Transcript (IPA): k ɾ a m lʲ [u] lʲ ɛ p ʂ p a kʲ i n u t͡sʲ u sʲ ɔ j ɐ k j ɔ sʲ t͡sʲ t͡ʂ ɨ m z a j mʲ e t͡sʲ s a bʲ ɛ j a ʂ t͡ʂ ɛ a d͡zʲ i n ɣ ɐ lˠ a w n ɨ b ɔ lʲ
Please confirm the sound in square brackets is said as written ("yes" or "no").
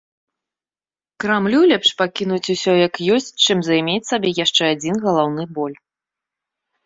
yes